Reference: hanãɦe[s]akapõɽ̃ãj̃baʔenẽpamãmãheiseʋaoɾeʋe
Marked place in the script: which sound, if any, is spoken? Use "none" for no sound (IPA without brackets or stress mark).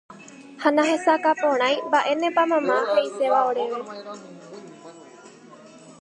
s